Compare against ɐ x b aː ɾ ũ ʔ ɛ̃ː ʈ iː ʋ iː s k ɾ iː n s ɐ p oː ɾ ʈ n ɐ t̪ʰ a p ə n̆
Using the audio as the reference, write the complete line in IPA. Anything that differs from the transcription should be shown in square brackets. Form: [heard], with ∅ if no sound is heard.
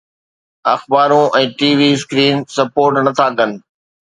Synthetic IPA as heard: ɐ x b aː ɾ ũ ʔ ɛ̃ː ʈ iː ʋ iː s k ɾ iː n s ɐ p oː ɾ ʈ n ɐ t̪ʰ a [k] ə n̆